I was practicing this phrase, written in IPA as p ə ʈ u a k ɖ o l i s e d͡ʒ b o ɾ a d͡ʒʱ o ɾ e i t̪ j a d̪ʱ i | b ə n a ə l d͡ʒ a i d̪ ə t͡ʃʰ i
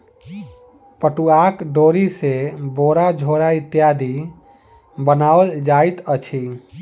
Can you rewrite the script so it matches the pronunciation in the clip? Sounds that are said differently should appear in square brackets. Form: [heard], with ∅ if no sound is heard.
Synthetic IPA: p ə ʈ u a k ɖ o [ɾ] i s e [∅] b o ɾ a d͡ʒʱ o ɾ [a] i t̪ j a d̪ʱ i | b ə n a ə l d͡ʒ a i [t̪] ə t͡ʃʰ i